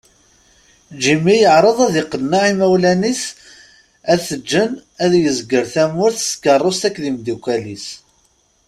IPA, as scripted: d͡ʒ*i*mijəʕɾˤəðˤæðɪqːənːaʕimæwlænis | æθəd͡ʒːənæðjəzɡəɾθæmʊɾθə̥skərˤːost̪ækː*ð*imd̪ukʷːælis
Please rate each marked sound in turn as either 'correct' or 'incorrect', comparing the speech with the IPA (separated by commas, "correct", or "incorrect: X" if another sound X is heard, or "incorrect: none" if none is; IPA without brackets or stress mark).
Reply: correct, correct